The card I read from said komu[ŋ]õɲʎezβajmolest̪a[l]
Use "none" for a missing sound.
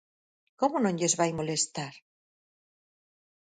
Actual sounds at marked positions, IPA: n, ɾ

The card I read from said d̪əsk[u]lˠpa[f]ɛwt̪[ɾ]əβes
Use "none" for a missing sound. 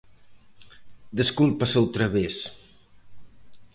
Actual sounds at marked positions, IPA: u, s, ɾ

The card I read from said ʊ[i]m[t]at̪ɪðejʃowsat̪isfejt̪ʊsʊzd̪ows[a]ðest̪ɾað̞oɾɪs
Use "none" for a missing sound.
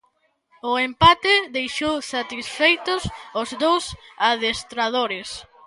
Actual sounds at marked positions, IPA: e, p, a

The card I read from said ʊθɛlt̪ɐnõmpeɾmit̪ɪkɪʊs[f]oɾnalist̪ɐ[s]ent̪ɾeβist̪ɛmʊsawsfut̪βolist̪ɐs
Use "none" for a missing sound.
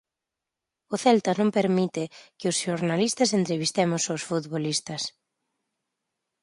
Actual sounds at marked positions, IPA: ʃ, s

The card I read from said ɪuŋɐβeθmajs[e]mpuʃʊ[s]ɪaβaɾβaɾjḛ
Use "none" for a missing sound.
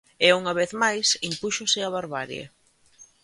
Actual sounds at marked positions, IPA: i, s

